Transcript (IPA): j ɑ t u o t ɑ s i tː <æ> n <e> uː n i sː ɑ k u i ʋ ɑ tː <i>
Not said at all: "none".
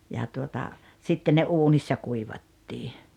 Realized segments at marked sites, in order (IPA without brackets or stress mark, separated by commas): e, e, iː